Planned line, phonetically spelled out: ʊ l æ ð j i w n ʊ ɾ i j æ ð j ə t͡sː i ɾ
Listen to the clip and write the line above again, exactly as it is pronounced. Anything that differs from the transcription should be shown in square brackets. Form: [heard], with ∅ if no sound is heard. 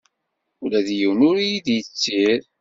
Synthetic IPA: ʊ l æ ð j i w n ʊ ɾ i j [i] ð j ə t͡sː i ɾ